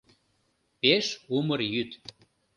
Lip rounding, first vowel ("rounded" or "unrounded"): unrounded